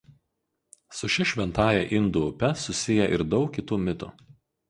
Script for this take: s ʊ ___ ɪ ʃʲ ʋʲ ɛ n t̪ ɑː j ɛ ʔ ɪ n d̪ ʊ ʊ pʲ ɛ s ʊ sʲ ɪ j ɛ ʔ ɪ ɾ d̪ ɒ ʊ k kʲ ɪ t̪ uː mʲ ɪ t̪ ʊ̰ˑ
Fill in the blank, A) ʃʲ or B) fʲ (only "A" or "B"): A